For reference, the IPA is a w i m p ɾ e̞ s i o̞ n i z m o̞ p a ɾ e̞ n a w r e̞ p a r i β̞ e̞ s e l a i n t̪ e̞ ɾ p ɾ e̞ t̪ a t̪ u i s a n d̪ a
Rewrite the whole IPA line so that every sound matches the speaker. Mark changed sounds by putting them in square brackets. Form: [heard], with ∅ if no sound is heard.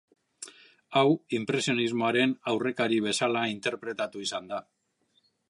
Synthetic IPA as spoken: a w i m p ɾ e̞ s i o̞ n i z m o̞ [∅] a ɾ e̞ n a w r e̞ [k] a [ɾ] i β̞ e̞ s [a] l a i n t̪ e̞ ɾ p ɾ e̞ t̪ a t̪ u i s a n d̪ a